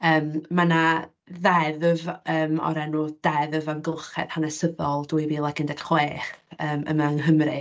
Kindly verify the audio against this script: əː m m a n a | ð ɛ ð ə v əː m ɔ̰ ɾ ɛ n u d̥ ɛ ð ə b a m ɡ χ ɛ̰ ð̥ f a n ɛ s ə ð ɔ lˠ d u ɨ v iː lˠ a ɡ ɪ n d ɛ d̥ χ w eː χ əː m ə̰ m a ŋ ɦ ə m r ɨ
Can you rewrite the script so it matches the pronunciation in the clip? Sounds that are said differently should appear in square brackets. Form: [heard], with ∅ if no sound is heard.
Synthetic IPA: əː m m a n a | ð ɛ ð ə v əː m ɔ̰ ɾ ɛ n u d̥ ɛ ð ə [v] a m ɡ χ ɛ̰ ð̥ [h] a n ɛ s ə ð ɔ lˠ d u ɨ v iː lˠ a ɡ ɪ n d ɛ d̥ χ w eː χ əː m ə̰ m a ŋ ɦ ə m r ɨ

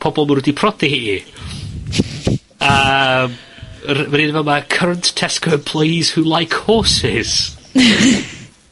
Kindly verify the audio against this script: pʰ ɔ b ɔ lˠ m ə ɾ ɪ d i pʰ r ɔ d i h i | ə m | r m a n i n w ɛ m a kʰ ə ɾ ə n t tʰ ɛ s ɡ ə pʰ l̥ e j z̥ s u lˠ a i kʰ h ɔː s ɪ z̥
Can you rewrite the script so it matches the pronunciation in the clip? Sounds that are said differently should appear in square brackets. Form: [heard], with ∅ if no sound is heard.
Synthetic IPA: pʰ ɔ b ɔ lˠ m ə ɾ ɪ d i pʰ r ɔ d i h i | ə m | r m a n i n [v] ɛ m a kʰ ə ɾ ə n t tʰ ɛ s [k] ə pʰ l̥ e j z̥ [h] u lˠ a [j] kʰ h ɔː s ɪ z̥

